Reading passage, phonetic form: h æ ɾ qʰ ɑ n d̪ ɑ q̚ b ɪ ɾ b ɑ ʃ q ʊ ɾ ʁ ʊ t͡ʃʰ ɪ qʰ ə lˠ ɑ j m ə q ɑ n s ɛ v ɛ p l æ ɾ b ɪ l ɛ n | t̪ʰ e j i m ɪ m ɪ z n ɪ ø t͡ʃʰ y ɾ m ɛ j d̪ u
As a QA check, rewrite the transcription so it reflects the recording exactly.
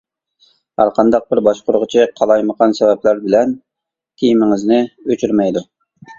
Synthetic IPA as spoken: h æ ɾ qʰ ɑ n d̪ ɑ q̚ b ɪ ɾ b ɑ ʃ q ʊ ɾ ʁ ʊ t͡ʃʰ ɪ qʰ ɑ lˠ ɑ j m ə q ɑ n s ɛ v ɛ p l æ ɾ b ɪ l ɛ n | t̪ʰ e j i m ɪ ŋ ɪ z n ɪ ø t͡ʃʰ y ɾ m ɛ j d̪ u